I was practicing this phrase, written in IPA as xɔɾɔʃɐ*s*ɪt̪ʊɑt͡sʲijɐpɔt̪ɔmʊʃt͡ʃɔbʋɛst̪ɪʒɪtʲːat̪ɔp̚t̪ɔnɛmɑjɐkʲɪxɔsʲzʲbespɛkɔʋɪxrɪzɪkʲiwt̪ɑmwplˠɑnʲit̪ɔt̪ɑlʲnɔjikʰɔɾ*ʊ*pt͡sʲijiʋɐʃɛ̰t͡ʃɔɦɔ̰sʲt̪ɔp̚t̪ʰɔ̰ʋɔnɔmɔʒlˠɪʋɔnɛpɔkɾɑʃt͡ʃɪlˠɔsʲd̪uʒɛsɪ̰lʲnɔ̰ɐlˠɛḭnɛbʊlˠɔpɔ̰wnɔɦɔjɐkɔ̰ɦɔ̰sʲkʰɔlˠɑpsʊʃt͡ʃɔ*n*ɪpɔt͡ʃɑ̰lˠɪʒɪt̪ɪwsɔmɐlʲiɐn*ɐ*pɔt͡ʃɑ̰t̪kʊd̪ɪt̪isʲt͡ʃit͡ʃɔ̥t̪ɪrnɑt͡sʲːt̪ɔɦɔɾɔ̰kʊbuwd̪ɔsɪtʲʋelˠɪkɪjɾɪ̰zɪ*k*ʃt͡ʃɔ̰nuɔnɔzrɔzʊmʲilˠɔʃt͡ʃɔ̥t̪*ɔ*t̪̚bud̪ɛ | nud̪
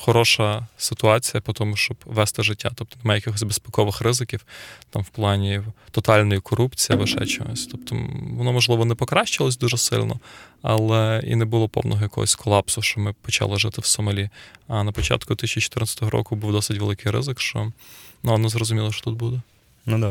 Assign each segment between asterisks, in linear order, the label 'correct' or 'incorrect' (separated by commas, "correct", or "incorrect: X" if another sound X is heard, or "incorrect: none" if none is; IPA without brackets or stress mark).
correct, incorrect: u, incorrect: m, correct, correct, incorrect: u